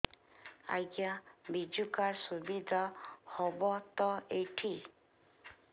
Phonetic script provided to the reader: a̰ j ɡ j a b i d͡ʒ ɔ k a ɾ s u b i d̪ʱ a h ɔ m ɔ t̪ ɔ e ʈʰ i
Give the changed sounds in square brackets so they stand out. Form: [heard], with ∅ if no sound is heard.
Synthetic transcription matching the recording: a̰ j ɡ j a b i d͡ʒ [u] k a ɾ s u b i d̪ʱ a h ɔ [b] ɔ t̪ ɔ e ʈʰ i